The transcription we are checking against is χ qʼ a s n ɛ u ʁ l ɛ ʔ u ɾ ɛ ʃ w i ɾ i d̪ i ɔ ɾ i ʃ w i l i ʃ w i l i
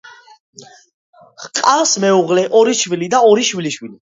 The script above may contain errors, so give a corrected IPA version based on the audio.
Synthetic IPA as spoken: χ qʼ a s m ɛ u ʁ l ɛ ʔ ɔ ɾ i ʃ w i l i d̪ a ɔ ɾ i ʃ w i l i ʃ w i l i